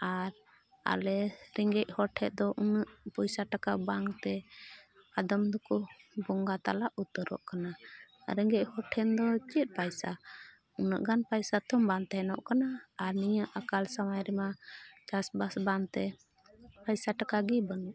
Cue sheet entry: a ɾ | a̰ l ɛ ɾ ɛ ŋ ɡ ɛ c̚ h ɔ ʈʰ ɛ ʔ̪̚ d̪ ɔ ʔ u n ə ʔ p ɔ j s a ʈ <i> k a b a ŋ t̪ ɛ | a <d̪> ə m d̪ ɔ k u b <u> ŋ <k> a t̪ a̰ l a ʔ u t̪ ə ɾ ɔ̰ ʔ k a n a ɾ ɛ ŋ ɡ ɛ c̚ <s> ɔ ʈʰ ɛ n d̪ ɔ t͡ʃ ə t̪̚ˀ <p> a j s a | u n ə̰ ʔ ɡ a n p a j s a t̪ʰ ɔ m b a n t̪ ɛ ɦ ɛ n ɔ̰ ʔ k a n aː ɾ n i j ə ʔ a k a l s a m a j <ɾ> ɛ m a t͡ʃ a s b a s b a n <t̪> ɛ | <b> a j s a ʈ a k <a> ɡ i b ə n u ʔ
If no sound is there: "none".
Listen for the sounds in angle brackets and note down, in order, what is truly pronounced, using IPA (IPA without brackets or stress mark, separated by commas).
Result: a, d̪, ɔ, ɡ, h, p, ɾ, t̪, p, a